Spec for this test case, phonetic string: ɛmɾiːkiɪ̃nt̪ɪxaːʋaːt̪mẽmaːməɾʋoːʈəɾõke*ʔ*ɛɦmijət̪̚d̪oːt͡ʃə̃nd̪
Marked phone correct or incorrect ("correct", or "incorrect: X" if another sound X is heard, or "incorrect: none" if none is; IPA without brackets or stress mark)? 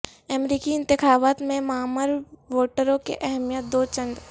correct